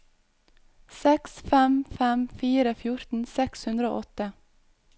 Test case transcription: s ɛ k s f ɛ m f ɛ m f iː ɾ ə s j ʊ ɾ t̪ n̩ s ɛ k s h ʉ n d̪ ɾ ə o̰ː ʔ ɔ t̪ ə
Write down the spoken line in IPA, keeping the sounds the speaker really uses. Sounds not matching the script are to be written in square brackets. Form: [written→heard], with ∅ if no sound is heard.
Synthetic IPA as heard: s ɛ k s f ɛ m f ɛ m f iː ɾ ə [s→f] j ʊ ɾ t̪ n̩ s ɛ k s h ʉ n d̪ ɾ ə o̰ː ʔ ɔ t̪ ə